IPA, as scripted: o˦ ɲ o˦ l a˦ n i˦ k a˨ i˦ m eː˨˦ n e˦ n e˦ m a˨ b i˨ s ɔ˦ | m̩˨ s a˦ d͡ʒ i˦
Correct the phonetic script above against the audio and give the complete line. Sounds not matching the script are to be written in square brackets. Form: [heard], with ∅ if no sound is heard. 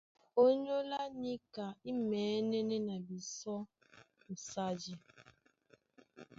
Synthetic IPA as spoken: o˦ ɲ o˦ l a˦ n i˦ k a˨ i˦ m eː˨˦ n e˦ n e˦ [n] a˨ b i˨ s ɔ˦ | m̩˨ s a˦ d͡ʒ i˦